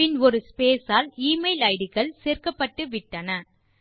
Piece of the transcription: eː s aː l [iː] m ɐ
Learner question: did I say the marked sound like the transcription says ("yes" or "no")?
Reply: yes